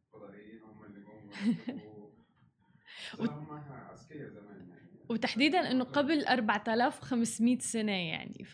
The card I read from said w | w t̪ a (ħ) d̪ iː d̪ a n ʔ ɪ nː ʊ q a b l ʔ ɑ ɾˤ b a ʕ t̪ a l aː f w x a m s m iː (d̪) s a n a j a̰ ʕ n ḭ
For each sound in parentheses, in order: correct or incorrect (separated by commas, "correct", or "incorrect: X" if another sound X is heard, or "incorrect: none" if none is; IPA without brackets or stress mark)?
correct, incorrect: t̪